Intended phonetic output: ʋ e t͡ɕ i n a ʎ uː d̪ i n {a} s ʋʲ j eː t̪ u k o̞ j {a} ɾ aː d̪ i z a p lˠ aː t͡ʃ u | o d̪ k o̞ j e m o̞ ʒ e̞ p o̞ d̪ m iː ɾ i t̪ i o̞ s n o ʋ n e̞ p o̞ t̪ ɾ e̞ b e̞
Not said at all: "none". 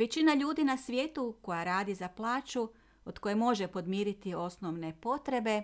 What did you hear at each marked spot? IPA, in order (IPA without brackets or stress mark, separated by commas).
a, a